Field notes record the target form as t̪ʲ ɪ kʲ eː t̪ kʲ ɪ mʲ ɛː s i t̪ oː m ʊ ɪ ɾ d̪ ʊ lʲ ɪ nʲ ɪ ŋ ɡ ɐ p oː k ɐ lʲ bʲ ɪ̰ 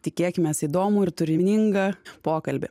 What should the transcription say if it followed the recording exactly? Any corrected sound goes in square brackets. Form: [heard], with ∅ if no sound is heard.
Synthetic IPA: t̪ʲ ɪ kʲ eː [∅] kʲ ɪ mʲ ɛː s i [d̪] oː m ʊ ɪ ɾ [t̪] ʊ [ɾʲ] ɪ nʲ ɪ ŋ ɡ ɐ p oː k ɐ lʲ bʲ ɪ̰